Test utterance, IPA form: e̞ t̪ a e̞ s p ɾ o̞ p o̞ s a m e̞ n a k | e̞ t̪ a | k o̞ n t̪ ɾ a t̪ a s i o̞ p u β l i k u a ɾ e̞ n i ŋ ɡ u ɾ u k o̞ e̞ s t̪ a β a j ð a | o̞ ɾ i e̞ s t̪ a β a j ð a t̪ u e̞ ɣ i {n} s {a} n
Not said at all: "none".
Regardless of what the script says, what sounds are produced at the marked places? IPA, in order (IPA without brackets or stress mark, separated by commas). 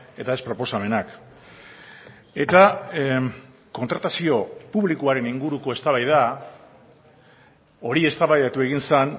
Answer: n, a